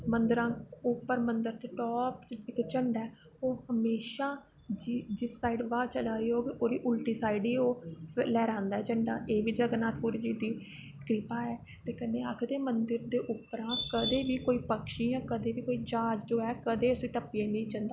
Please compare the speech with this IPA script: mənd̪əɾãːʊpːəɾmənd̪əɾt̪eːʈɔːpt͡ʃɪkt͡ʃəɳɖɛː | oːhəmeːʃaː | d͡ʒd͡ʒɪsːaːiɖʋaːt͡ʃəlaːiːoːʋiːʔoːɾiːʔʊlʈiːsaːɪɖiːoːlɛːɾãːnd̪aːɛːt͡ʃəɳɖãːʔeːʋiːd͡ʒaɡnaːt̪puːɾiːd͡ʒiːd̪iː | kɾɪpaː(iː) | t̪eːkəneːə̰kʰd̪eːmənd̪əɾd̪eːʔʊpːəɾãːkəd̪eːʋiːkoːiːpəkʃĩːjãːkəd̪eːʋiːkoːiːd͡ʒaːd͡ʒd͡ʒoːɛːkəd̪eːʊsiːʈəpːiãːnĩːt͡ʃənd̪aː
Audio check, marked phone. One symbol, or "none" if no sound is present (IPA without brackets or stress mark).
ɛː